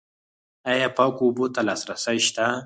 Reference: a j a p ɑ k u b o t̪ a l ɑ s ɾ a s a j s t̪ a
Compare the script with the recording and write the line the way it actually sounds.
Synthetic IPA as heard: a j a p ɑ k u b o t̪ a l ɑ s ɾ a s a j ʃ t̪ a